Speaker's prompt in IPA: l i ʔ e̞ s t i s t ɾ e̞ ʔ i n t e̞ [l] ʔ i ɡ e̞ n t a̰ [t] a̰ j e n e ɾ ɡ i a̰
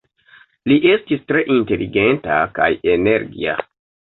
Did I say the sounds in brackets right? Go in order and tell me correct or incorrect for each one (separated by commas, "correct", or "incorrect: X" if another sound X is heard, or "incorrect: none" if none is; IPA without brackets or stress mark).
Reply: correct, incorrect: k